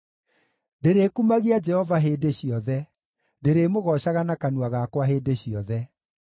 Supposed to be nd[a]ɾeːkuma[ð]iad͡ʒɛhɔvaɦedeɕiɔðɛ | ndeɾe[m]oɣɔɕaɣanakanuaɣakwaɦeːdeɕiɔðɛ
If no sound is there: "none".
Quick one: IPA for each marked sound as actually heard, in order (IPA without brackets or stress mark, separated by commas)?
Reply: e, ɣ, m